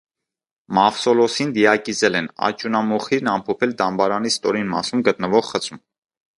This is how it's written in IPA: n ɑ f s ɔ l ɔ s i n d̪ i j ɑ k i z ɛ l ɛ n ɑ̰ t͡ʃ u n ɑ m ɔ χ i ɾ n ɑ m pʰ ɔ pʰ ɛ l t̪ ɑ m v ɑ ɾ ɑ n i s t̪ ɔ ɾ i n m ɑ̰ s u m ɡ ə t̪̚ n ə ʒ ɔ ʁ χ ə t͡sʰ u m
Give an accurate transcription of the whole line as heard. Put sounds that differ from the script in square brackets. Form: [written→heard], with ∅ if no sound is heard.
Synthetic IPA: [n→m] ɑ f s ɔ l ɔ s i n d̪ i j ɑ k i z ɛ l ɛ n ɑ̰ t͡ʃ u n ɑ m ɔ χ i ɾ n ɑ m pʰ ɔ pʰ ɛ l [t̪→d̪] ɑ m [v→b] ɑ ɾ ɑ n i s t̪ ɔ ɾ i n m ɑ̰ s u m ɡ ə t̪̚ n ə [ʒ→v] ɔ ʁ χ ə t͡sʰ u m